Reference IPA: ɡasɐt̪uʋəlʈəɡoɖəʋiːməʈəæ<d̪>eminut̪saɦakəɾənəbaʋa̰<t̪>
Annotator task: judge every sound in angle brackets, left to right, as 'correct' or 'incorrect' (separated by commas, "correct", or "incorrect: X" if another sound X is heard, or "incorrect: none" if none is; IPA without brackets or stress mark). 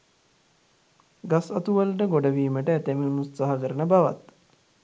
incorrect: t̪, correct